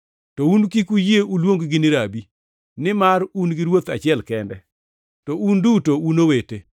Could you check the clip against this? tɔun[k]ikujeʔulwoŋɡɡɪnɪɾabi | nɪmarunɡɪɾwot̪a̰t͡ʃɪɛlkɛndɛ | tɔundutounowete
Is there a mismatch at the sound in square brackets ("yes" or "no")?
no